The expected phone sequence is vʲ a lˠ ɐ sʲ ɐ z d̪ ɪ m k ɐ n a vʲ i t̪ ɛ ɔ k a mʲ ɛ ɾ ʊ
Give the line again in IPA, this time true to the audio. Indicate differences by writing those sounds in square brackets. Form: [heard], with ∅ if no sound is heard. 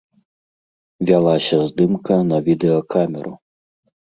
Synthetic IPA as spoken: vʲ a lˠ [a] sʲ ɐ z d̪ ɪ m k ɐ n [ɐ] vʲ i [d̪] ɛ ɔ k a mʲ ɛ ɾ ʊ